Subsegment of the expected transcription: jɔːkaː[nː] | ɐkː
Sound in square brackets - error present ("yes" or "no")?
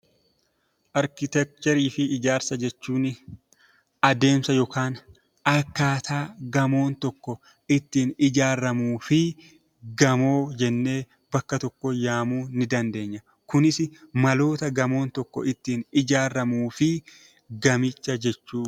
yes